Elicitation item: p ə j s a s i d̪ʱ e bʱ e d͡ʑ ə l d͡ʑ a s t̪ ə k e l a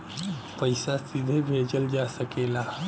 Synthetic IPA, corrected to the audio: p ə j s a s i d̪ʱ e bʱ e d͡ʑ ə l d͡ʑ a s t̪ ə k e l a